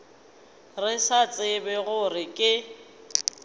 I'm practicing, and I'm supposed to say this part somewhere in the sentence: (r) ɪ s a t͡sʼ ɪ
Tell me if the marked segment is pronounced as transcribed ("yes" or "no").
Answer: yes